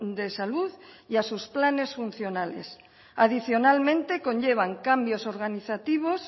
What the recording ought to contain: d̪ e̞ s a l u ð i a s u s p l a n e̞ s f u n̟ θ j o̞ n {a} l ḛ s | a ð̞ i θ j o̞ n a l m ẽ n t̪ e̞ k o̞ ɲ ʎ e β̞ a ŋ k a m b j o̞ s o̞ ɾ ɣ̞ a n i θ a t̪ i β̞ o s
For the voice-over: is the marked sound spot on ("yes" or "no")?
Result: yes